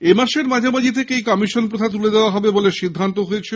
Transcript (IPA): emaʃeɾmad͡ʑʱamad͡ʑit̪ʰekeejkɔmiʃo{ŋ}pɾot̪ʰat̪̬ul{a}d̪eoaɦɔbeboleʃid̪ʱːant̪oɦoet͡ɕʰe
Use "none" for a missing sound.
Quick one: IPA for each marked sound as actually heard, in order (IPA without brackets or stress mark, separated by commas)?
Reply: n, e